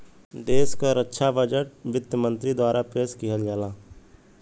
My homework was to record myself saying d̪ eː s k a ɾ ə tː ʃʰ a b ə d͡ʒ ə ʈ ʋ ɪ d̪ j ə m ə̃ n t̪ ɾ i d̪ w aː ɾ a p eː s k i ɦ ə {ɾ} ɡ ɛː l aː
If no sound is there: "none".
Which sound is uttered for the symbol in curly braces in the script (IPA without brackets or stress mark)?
l